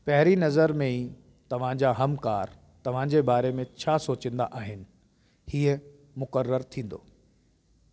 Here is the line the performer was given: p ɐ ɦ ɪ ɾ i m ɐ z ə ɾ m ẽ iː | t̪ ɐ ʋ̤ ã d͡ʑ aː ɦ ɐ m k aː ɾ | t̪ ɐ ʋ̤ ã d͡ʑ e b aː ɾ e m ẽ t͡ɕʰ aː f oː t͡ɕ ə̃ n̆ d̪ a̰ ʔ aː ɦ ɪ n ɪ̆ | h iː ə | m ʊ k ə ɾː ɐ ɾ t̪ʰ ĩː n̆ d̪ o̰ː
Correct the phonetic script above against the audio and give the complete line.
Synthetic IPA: p ɐ ɦ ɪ ɾ i n ɐ z ə ɾ m ẽ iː | t̪ ɐ ʋ̤ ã d͡ʑ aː ɦ ɐ m k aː ɾ | t̪ ɐ ʋ̤ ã d͡ʑ e b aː ɾ e m ẽ t͡ɕʰ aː s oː t͡ɕ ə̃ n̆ d̪ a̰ ʔ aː ɦ ɪ n ɪ̆ | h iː ə | m ʊ k ə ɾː ə ɾ t̪ʰ ĩː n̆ d̪ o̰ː